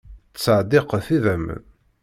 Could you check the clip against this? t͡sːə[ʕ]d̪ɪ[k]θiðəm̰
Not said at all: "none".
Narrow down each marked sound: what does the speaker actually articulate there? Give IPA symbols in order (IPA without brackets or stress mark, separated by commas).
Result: ʕ, q